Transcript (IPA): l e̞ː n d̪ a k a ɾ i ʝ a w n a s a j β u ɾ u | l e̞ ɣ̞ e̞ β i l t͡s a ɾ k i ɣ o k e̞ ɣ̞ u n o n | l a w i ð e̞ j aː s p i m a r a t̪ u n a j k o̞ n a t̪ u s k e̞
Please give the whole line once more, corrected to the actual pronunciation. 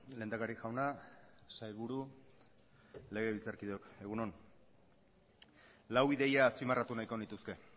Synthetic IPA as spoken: l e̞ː n d̪ a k a ɾ i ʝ a w n a s a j β u ɾ u | l e̞ ɣ̞ e̞ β i l t͡s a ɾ k i ð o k e̞ ɣ̞ u n o n | l a w i ð e̞ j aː s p i m a r a t̪ u n a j k o̞ n i t̪ u s k e̞